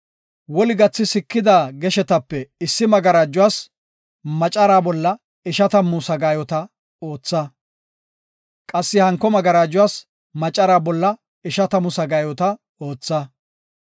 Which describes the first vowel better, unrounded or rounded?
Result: rounded